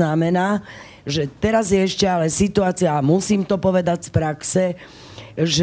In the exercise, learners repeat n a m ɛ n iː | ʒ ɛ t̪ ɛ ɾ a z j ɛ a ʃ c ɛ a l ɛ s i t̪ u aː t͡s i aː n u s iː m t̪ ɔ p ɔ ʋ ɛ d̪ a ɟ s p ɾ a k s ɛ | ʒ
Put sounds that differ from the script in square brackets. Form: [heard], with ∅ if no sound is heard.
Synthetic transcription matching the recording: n a m ɛ n [aː] | ʒ ɛ t̪ ɛ ɾ a z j ɛ [ɛ] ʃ c ɛ a l ɛ s i t̪ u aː t͡s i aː [m] u s iː m t̪ ɔ p ɔ ʋ ɛ d̪ a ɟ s p ɾ a k s ɛ | ʒ